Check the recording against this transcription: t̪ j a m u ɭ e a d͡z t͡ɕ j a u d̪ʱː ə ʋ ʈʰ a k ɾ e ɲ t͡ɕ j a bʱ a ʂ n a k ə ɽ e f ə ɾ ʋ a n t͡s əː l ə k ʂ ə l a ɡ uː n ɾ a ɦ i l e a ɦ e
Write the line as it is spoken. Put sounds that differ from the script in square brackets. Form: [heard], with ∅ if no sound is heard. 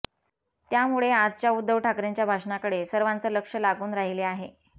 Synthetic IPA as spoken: t̪ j a m u ɭ e a d͡z t͡ɕ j a u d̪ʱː ə ʋ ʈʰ a k ɾ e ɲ t͡ɕ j a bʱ a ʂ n a k ə ɽ e [s] ə ɾ ʋ a n t͡s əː l ə k ʂ ə l a ɡ uː n ɾ a ɦ i l e a ɦ e